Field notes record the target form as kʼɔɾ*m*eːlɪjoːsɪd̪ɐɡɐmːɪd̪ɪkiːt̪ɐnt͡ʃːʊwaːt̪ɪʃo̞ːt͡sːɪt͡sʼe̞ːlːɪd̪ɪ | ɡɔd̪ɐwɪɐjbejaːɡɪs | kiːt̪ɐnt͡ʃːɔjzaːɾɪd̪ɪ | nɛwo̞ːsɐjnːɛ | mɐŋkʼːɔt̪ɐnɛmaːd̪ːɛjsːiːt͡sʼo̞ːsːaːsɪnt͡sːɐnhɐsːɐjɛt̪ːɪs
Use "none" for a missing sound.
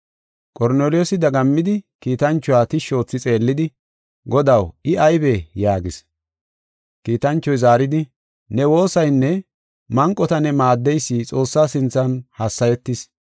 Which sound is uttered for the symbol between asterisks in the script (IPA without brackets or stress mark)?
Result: n